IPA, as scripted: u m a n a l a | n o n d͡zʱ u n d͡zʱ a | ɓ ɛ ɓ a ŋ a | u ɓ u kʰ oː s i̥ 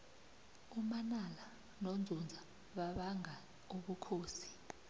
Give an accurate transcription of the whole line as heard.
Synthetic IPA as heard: u m a n a l a | n o n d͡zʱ u n d͡zʱ a | ɓ a ɓ a ŋ a | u ɓ u kʰ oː s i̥

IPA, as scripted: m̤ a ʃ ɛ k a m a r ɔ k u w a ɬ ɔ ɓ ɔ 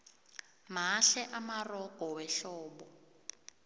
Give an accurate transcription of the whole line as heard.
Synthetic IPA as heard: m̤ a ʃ ɛ ʔ a m a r ɔ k ɔ w ɛ ɬ ɔː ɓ ɔ

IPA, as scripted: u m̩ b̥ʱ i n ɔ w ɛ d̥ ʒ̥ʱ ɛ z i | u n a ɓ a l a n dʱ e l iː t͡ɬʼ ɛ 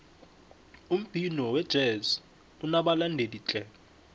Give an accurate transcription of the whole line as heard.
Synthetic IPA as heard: u m̩ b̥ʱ i n ɔ w ɛ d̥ ʒ̥ʱ ɛ z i | u n a ɓ a l a n dʱ e l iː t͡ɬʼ ɛ

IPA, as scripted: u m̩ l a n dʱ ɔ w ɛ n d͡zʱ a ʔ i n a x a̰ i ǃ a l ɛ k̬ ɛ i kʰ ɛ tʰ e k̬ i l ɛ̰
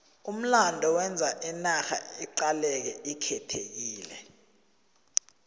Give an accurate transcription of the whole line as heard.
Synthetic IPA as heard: u m̩ l a n dʱ ɔ w ɛ n d͡zʱ a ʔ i n a x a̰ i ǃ a l ɛ k̬ ɛ i kʰ ɛ tʰ e k̬ iː l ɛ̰

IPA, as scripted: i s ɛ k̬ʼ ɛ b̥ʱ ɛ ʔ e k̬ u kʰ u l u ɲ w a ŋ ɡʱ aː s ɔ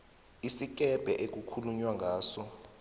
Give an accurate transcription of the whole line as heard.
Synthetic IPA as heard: i s i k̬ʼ ɛ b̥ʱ ɛ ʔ e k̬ u kʰ u l u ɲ w a ŋ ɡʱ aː s ɔ

